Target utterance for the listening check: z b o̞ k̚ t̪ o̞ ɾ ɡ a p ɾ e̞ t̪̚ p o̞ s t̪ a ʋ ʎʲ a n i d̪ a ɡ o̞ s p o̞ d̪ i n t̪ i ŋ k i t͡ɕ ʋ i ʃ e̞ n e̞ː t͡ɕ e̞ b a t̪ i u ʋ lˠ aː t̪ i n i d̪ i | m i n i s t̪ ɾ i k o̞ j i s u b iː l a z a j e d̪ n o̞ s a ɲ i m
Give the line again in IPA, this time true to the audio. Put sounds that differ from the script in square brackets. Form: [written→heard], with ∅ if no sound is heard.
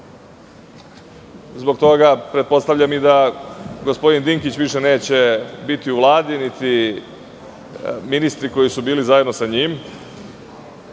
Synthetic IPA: z b o̞ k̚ t̪ o̞ [ɾ→∅] ɡ a p ɾ e̞ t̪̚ p o̞ s t̪ a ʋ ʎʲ a [n→m] i d̪ a ɡ o̞ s p o̞ d̪ i n [t̪→d̪] i ŋ k i t͡ɕ ʋ i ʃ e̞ n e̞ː t͡ɕ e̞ b [a→i] t̪ i u ʋ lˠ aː [t̪→d̪] i n i [d̪→t̪] i | m i n i s t̪ ɾ i k o̞ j i s u b iː l [a→i] z a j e d̪ n o̞ s a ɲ i m

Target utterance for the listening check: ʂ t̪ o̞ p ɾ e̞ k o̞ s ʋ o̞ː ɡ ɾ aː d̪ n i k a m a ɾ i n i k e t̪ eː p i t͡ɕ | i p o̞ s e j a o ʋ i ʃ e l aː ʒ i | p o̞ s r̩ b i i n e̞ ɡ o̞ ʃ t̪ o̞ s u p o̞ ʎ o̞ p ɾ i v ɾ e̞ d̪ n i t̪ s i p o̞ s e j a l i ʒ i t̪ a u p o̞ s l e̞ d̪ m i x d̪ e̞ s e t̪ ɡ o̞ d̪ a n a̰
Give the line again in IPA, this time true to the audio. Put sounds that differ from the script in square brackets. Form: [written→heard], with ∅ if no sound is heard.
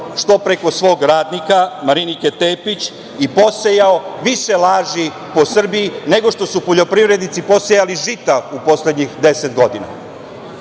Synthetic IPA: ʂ t̪ o̞ p ɾ e̞ k o̞ s ʋ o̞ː ɡ ɾ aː d̪ n i k a m a ɾ i n i k e t̪ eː p i t͡ɕ | i p o̞ s e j a o ʋ i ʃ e l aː ʒ i | p o̞ s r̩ b i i n e̞ ɡ o̞ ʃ t̪ o̞ s u p o̞ ʎ o̞ p ɾ i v ɾ e̞ d̪ n i t̪ s i p o̞ s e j a l i ʒ i t̪ a u p o̞ s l e̞ d̪ [m→ɲ] i x d̪ e̞ s e t̪ ɡ o̞ d̪ [a→i] n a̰

